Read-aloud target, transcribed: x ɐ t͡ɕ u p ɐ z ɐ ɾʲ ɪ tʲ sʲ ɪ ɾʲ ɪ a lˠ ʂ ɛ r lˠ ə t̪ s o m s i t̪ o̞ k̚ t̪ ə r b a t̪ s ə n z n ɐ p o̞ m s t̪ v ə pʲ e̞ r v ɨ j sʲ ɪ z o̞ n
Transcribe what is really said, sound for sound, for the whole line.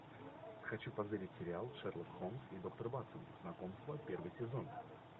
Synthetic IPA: x ɐ t͡ɕ u p ɐ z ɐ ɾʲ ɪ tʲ sʲ ɪ ɾʲ ɪ a lˠ ʂ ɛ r lˠ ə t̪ x o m s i d̪ o̞ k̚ t̪ ə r b a t̪ s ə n z n ɐ k o̞ m s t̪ v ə pʲ e̞ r v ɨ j sʲ ɪ z o̞ n